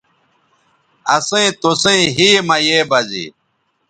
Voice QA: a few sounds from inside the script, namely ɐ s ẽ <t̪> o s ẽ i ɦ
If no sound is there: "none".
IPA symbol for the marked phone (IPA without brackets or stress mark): t̪